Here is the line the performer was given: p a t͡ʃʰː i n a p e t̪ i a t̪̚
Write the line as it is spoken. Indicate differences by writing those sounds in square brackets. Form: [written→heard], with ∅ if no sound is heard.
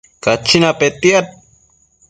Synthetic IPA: [p→k] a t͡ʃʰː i n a p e t̪ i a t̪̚